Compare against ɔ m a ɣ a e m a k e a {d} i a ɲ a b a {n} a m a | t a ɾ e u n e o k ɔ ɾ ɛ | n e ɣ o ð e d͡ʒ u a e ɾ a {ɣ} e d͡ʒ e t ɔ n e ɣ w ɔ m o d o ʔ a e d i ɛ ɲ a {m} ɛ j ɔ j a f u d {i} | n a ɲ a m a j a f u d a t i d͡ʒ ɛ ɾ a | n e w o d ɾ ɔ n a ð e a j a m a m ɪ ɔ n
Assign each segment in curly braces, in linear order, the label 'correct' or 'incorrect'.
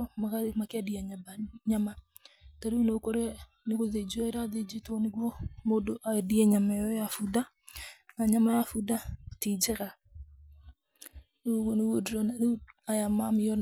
correct, incorrect: ɲ, incorrect: ð, correct, incorrect: a

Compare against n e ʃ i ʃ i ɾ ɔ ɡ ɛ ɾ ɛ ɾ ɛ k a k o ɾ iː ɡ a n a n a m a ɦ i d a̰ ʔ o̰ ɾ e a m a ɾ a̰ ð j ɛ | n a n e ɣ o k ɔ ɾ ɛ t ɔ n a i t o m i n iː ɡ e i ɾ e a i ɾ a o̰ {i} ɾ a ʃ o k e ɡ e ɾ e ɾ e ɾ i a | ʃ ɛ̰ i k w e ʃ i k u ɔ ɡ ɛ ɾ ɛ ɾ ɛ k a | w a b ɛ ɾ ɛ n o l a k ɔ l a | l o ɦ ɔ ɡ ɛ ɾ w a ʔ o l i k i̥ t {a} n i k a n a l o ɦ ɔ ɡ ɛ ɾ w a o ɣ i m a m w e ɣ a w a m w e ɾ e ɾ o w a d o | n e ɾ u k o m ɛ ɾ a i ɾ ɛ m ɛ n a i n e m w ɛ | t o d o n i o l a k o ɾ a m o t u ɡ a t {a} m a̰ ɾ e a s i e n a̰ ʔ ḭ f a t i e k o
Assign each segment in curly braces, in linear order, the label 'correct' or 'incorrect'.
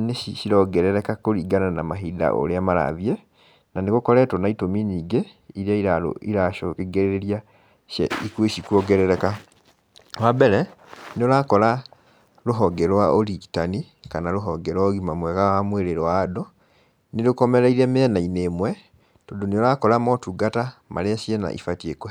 correct, correct, correct

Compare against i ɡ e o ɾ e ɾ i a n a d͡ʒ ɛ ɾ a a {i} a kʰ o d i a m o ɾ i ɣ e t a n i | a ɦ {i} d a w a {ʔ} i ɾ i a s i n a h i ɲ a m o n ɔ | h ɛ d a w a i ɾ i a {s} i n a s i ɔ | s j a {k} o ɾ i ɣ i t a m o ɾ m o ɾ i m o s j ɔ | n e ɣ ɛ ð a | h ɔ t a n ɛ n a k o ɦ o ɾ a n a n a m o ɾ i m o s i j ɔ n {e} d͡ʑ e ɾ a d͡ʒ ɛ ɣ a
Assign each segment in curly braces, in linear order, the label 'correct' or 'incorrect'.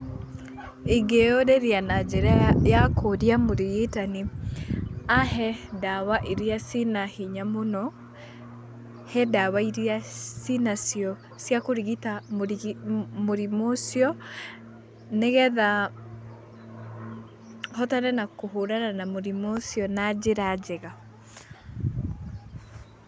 incorrect: j, incorrect: ɛ, correct, correct, correct, incorrect: a

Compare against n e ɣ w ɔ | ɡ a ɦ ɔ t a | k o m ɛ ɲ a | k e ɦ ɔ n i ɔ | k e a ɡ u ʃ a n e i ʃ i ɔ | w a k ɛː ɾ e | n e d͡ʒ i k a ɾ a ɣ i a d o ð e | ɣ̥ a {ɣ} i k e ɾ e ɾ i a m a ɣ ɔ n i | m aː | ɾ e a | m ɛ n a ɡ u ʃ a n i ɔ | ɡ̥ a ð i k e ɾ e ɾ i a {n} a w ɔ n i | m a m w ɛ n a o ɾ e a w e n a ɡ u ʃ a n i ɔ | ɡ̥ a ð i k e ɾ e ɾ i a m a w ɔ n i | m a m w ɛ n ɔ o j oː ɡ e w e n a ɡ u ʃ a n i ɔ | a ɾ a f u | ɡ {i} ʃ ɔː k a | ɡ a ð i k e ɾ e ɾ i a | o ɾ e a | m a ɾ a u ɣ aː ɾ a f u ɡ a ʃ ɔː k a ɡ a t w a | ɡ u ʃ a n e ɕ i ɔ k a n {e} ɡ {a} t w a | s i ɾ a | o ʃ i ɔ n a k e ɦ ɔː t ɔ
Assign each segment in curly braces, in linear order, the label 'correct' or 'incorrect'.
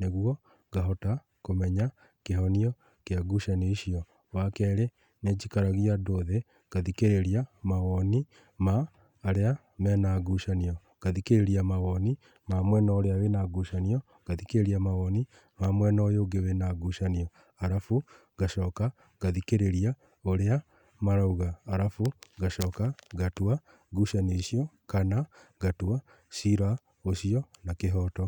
incorrect: ð, incorrect: m, incorrect: a, incorrect: a, correct

